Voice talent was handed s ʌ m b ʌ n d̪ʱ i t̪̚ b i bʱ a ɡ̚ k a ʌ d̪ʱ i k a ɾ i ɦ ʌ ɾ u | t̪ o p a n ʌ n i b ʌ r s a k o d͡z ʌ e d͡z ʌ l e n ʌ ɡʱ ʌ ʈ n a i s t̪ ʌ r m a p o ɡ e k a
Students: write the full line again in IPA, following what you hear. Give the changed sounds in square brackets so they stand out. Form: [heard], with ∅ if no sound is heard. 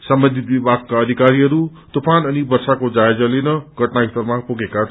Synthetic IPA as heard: s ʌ m b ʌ n d̪ʱ i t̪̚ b i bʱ a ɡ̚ k a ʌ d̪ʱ i k a ɾ i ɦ ʌ ɾ u | t̪ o p a n ʌ n i b ʌ r s a k o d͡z [a] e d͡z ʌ l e n ʌ ɡʱ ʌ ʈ n a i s t̪ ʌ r m a p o ɡ e k a